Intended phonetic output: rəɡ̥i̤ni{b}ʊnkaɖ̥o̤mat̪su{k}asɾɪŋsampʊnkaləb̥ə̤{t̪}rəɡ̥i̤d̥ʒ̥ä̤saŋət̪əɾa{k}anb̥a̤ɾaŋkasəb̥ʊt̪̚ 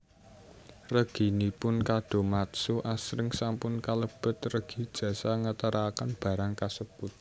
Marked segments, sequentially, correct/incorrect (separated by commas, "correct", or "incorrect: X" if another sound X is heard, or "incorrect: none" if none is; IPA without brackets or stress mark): incorrect: p, incorrect: ʔ, correct, correct